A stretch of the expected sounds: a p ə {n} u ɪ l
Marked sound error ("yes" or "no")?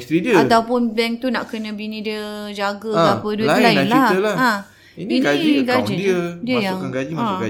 yes